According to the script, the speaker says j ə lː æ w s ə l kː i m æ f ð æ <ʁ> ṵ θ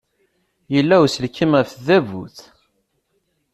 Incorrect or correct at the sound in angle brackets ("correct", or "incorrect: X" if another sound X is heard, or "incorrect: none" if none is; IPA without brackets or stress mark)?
incorrect: v